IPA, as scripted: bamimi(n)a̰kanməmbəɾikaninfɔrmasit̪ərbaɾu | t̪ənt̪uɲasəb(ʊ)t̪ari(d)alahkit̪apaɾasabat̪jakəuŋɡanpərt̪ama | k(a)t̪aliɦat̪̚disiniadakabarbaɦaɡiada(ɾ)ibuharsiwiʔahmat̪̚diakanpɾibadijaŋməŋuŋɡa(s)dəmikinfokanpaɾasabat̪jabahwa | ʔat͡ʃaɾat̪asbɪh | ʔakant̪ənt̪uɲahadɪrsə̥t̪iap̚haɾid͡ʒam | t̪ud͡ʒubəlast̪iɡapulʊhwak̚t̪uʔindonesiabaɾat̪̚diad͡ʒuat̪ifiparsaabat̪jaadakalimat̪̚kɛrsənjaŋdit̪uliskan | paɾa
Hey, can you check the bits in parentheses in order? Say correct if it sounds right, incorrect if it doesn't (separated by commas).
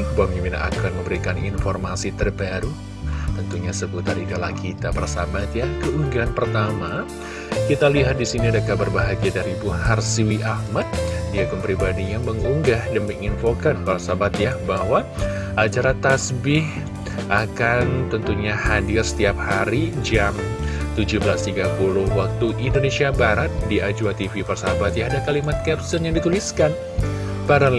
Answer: correct, incorrect, correct, incorrect, correct, incorrect